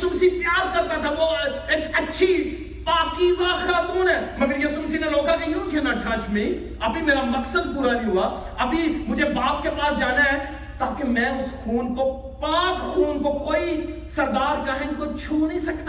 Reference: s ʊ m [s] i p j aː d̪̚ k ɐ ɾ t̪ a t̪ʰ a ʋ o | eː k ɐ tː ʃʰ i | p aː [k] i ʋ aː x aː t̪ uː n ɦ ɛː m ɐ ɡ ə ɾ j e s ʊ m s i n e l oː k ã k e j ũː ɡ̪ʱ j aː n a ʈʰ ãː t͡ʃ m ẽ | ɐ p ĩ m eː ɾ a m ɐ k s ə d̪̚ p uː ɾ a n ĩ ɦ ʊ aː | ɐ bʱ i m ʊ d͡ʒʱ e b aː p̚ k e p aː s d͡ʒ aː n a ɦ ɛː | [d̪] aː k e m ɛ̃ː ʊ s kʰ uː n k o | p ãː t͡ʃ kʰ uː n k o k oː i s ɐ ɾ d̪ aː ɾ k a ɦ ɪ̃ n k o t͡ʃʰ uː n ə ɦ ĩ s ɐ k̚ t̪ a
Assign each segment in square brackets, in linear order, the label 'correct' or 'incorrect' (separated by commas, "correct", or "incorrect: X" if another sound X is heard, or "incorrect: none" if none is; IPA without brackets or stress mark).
correct, correct, incorrect: t̪